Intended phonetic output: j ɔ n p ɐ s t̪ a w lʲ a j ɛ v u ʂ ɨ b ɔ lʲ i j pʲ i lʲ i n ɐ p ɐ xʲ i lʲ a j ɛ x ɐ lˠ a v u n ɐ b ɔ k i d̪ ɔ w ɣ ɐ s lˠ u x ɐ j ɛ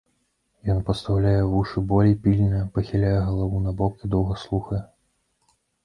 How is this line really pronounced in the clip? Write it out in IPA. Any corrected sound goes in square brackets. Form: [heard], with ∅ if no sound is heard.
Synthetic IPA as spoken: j ɔ n p ɐ s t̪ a w lʲ a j ɛ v u ʂ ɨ b ɔ lʲ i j pʲ i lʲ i n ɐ p ɐ xʲ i lʲ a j ɛ [ɣ] ɐ lˠ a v u n ɐ b ɔ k i d̪ ɔ w ɣ ɐ s lˠ u x ɐ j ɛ